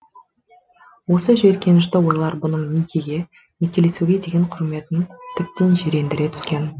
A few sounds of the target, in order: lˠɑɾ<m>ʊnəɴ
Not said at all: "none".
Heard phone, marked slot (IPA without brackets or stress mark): b